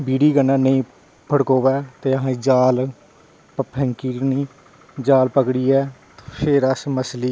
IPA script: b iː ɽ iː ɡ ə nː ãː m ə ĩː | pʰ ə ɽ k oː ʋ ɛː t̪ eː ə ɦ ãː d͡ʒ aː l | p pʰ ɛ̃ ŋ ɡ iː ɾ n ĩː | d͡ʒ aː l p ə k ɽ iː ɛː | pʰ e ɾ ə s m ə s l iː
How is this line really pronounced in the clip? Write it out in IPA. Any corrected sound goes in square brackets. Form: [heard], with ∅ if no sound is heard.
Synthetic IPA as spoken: b iː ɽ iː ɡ ə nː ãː [n] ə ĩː | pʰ ə ɽ k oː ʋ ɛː t̪ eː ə ɦ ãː d͡ʒ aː l | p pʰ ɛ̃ ŋ [k] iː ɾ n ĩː | d͡ʒ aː l p ə k ɽ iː ɛː | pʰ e ɾ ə s m ə s l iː